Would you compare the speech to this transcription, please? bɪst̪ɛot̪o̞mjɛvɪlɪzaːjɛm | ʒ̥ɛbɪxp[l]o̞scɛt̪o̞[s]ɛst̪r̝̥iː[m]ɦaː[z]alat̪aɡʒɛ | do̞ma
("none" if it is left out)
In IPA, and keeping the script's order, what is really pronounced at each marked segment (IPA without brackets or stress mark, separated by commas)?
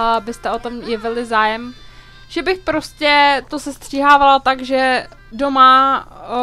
ɾ, s, none, v